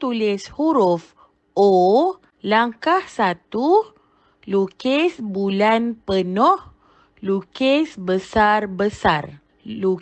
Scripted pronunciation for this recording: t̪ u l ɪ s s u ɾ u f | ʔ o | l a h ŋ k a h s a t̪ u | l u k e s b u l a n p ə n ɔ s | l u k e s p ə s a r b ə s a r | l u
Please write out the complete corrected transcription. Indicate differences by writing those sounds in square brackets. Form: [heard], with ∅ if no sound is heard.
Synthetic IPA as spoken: t̪ u l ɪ s [h] u ɾ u f | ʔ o | l a [∅] ŋ k a h s a t̪ u | l u k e s b u l a n p ə n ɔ [h] | l u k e s [b] ə s a r b ə s a r | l u